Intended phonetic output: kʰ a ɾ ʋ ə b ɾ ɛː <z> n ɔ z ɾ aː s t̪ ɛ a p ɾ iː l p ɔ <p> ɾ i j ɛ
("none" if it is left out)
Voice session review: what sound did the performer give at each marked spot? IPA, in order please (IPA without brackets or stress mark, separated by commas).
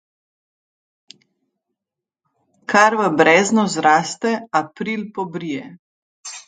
z, b